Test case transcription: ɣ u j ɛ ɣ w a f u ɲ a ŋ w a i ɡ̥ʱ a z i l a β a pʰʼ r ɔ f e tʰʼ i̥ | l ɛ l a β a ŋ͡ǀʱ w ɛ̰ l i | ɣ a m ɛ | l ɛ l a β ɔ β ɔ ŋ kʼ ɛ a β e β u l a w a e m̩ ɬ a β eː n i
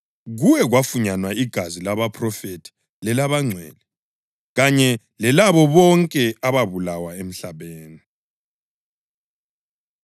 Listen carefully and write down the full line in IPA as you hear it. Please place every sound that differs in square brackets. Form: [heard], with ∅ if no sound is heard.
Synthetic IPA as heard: ɣ u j ɛ ɣ w a f u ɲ a [n] w a i ɡ̥ʱ a z i l a β a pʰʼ r ɔ f e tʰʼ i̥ | l ɛ l a β a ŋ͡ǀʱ w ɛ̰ l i | ɣ a [ɲ] ɛ | l ɛ l a β ɔ β ɔ ŋ kʼ ɛ a β [a] β u l a w a e m̩ ɬ a β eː n i